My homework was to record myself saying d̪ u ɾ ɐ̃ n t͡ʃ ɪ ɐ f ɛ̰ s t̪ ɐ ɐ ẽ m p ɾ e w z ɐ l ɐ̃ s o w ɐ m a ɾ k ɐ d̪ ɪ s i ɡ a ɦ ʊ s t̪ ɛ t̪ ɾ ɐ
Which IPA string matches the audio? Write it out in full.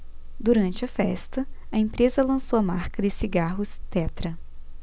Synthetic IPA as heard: d̪ u ɾ ɐ̃ n t͡ʃ ɪ ɐ f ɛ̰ s t̪ ɐ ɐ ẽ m p ɾ e z ɐ l ɐ̃ s o w ɐ m a ɾ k ɐ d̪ ɪ s i ɡ a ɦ ʊ s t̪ ɛ t̪ ɾ ɐ